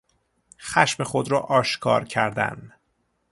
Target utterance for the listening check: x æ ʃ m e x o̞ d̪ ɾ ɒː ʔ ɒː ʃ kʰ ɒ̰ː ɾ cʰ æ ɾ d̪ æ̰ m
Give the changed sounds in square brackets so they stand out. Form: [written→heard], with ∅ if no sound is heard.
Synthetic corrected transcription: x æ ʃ m e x o̞ d̪ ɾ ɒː ʔ ɒː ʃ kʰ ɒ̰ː ɾ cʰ æ ɾ d̪ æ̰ [m→n]